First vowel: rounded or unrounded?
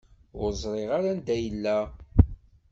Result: rounded